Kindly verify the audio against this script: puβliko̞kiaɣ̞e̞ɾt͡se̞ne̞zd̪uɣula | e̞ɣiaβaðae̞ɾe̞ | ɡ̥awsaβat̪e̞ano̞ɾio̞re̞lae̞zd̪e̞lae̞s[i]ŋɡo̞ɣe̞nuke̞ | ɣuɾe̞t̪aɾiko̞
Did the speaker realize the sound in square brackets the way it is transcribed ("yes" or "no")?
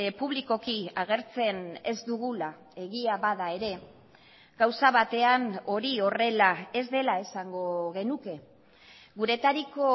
no